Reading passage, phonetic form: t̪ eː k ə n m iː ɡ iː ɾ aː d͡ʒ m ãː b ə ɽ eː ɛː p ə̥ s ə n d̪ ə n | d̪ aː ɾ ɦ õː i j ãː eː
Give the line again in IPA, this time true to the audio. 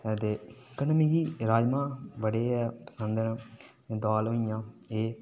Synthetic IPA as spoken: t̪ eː k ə n m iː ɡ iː ɾ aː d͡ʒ m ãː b ə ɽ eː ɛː p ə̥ s ə n d̪ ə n | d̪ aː l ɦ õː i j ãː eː